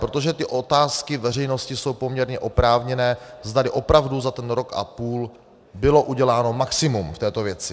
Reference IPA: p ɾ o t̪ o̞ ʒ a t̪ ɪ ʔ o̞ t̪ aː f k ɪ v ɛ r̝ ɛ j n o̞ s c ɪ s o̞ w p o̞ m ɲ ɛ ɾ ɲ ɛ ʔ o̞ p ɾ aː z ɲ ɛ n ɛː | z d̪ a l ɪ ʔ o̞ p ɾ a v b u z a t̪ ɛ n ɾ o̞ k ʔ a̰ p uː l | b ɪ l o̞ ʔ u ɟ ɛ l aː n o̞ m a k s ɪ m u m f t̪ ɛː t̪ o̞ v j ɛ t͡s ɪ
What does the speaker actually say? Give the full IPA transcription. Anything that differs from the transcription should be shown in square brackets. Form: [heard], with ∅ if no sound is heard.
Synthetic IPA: p ɾ o t̪ o̞ ʒ [ɛ] t̪ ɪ ʔ o̞ t̪ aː [s] k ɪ v ɛ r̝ ɛ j n o̞ s c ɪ s o̞ w p o̞ m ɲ ɛ ɾ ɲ ɛ ʔ o̞ p ɾ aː [v] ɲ ɛ n ɛː | z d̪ a l ɪ ʔ o̞ p ɾ a v [d] u z a t̪ ɛ n ɾ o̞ k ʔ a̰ p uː l | b ɪ l o̞ ʔ u ɟ ɛ l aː n o̞ m a k s ɪ m u m f t̪ ɛː t̪ o̞ v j ɛ t͡s ɪ

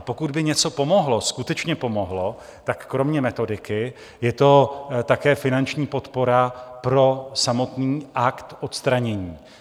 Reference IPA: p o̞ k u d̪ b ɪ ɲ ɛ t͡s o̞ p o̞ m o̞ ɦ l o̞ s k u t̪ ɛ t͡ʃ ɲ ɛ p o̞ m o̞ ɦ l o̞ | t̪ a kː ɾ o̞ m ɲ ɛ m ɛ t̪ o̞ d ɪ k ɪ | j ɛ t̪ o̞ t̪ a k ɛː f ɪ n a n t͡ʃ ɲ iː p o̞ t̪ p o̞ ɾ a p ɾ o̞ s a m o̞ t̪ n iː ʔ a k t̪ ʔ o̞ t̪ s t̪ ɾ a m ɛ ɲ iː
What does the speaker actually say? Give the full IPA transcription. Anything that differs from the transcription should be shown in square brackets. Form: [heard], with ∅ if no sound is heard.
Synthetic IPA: p o̞ k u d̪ b ɪ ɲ ɛ t͡s o̞ p o̞ m o̞ ɦ l o̞ s k u t̪ ɛ t͡ʃ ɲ ɛ p o̞ m o̞ ɦ l o̞ | t̪ a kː ɾ o̞ m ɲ ɛ m ɛ t̪ o̞ d ɪ k ɪ | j ɛ t̪ o̞ t̪ a k ɛː f ɪ n a n t͡ʃ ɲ iː p o̞ t̪ p o̞ ɾ a p ɾ o̞ s a m o̞ t̪ n iː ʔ a k t̪ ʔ o̞ t̪ s t̪ ɾ a [ɲ] ɛ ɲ iː

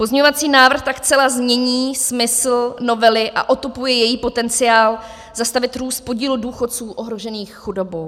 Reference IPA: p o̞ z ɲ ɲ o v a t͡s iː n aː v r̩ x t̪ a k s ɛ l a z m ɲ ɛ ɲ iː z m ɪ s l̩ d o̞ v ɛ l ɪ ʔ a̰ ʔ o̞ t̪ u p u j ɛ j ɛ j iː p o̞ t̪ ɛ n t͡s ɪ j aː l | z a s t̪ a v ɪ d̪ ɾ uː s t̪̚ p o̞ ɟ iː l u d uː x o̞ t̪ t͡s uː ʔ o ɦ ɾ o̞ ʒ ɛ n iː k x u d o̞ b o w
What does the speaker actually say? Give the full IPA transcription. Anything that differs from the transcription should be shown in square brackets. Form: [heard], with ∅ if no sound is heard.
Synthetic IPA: p o̞ z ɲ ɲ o v a t͡s iː n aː v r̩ x t̪ a k [t͡s] ɛ l a z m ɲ ɛ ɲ iː [s] m ɪ s l̩ [n] o̞ v ɛ l ɪ ʔ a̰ ʔ o̞ t̪ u p u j ɛ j ɛ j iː p o̞ t̪ ɛ n t͡s ɪ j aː l | z a s t̪ a v ɪ [t̪] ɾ uː s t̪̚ p o̞ ɟ iː l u d uː x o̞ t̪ t͡s uː ʔ o ɦ ɾ o̞ ʒ ɛ n iː [x] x u d o̞ b o w

